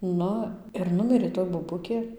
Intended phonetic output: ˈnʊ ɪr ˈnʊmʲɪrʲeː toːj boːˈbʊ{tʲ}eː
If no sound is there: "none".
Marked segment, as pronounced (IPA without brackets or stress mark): kʲ